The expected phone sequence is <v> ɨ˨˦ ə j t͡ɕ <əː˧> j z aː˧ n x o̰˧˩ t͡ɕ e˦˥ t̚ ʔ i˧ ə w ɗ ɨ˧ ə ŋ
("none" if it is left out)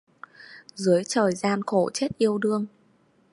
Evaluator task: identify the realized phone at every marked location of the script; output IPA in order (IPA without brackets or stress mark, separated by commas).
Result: z, əː˨˩